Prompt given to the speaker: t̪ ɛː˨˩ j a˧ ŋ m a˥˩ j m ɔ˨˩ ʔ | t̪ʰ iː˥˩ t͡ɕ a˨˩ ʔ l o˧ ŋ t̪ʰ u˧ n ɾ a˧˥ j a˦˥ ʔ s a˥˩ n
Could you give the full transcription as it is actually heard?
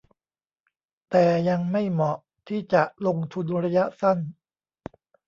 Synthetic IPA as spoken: t̪ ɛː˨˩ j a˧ ŋ m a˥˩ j m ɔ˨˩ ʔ | t̪ʰ iː˥˩ t͡ɕ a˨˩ ʔ l o˧ ŋ t̪ʰ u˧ n ɾ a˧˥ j a˦˥ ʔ s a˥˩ n

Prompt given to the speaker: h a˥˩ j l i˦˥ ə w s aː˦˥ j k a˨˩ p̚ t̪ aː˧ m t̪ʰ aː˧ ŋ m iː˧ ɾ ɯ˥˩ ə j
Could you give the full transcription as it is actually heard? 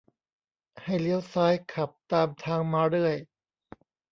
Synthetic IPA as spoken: h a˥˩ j l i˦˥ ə w s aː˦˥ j kʰ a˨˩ p̚ t̪ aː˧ m t̪ʰ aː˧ ŋ m aː˧ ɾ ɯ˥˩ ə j

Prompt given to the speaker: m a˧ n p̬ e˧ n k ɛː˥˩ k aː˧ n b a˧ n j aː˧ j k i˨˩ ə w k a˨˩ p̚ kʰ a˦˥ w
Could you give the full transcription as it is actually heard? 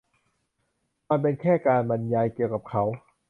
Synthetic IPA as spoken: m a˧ n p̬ e˧ n kʰ ɛː˥˩ k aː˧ n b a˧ n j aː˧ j k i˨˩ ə w k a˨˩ p̚ kʰ a˦˥ w

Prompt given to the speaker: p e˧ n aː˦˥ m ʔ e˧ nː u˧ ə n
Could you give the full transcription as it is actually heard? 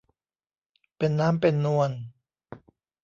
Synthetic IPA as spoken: p e˧ nː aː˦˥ m p e˧ nː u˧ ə n

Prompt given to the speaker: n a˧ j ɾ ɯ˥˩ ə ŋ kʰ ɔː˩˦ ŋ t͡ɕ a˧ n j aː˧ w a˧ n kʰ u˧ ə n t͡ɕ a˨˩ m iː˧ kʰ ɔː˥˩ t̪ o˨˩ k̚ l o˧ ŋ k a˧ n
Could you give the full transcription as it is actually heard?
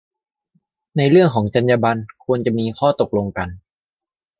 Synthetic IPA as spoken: n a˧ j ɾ ɯ˥˩ ə ŋ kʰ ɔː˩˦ ŋ t͡ɕ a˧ n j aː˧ b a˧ n kʰ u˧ ə n t͡ɕ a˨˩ m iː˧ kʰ ɔː˥˩ t̪ o˨˩ k̚ l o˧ ŋ k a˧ n

